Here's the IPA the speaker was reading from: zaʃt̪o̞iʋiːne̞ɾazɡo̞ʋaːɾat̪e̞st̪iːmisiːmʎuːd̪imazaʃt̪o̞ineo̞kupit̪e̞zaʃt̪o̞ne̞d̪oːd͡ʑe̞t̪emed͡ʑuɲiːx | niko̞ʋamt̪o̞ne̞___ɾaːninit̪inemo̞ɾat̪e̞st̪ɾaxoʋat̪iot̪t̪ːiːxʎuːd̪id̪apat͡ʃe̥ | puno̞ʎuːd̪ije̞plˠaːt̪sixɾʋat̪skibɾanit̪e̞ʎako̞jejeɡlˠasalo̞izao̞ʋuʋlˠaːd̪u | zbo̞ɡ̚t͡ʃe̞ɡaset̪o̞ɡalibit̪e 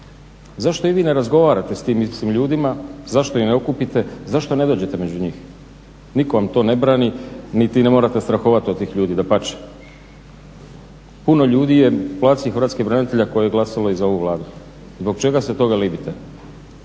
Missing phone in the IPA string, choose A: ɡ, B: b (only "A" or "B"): B